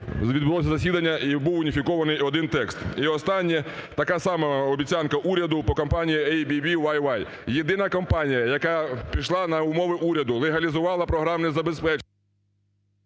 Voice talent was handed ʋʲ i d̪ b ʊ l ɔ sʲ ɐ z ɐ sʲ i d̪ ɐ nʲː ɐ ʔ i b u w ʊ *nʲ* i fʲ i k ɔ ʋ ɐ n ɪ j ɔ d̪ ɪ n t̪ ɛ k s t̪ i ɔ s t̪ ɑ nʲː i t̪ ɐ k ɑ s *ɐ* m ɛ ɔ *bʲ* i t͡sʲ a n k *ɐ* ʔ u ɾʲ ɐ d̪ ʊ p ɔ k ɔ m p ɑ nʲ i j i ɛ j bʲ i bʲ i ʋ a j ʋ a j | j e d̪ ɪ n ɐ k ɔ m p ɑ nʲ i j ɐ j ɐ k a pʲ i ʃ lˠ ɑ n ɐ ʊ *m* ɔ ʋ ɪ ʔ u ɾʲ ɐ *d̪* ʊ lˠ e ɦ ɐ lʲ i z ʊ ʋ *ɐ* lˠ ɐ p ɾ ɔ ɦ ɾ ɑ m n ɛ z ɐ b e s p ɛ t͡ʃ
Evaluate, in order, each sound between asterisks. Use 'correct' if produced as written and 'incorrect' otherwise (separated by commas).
correct, incorrect, correct, correct, correct, correct, incorrect